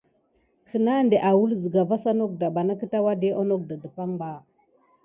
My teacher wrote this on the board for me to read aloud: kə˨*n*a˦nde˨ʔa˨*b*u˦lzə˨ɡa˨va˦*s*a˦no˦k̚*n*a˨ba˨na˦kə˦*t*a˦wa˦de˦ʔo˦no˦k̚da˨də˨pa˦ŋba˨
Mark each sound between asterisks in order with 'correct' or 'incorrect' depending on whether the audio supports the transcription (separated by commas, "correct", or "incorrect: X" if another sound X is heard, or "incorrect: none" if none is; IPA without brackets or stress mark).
correct, incorrect: w, correct, incorrect: d, correct